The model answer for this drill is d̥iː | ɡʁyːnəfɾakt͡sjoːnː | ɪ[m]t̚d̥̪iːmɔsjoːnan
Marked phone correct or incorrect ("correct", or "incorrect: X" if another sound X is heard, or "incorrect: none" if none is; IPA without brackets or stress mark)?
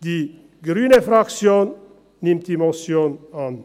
correct